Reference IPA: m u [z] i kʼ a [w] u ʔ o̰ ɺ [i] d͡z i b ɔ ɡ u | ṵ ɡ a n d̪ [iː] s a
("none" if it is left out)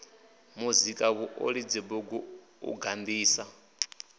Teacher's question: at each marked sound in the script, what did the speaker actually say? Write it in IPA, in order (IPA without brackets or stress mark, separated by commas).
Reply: z, β, i, iː